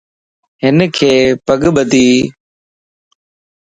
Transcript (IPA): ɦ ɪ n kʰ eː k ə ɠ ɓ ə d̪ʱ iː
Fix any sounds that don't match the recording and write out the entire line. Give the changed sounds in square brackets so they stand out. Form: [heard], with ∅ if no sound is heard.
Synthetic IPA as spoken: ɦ ɪ n kʰ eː [p] ə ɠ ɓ ə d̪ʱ iː